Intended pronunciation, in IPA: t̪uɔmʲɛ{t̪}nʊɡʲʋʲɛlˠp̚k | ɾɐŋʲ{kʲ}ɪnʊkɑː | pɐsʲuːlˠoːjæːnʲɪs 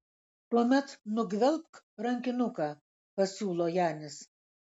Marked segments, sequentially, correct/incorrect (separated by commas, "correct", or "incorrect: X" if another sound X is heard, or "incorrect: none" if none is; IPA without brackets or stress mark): correct, correct